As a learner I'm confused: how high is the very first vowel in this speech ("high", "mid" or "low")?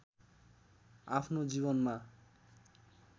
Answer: low